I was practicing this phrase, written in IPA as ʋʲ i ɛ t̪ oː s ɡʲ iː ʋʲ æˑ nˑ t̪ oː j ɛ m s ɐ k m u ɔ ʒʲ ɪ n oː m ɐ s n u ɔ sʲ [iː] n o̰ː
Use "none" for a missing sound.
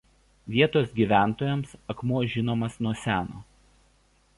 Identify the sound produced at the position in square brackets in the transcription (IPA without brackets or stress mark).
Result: æː